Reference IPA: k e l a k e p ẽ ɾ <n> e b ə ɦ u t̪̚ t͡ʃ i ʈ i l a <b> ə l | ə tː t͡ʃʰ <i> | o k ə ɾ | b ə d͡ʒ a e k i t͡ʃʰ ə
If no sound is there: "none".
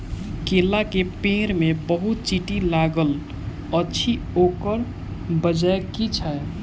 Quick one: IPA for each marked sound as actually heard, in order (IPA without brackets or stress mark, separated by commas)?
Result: m, ɡ, i